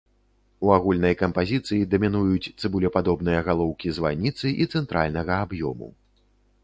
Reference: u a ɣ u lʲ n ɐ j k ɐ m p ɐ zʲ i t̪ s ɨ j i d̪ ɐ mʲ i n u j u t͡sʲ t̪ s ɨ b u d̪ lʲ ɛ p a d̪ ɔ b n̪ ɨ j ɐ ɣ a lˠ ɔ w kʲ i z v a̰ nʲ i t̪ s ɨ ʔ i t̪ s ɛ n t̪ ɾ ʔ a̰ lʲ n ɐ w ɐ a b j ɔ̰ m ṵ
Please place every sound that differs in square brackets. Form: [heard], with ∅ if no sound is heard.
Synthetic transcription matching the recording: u a ɣ u lʲ n ɐ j k ɐ m p [a] zʲ i t̪ s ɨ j i d̪ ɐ mʲ i n u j u t͡sʲ t̪ s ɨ b u [∅] lʲ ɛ p a d̪ ɔ b n̪ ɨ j ɐ ɣ a lˠ ɔ w kʲ i z v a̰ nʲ i t̪ s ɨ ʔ i t̪ s ɛ n t̪ ɾ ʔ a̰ lʲ n ɐ [ɣ] ɐ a b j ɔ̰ m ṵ